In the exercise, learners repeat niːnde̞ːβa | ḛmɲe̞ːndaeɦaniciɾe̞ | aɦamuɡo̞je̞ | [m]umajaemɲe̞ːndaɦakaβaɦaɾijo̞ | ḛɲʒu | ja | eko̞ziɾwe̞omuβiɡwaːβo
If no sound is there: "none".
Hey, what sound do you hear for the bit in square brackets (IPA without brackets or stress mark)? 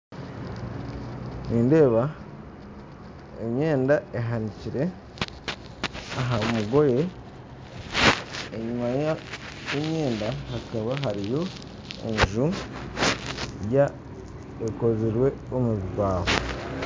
ɲ